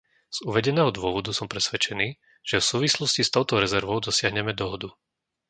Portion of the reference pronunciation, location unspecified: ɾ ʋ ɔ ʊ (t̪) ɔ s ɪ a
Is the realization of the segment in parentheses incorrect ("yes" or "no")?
yes